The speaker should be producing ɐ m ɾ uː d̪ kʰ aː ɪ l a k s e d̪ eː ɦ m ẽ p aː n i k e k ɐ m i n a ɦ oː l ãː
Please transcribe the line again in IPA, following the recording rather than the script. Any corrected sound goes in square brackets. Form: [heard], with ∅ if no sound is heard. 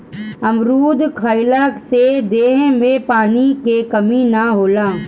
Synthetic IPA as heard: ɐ m ɾ uː d̪ kʰ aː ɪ l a k s e d̪ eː ɦ m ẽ p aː n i k e k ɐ m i n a ɦ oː l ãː